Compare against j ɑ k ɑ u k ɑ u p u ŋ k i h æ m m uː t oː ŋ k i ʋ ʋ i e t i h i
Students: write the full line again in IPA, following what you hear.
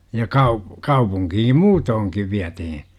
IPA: j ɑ k ɑ u k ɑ u p u ŋ k i h i m m uː t oː ŋ k i ʋ ʋ i æ t i h i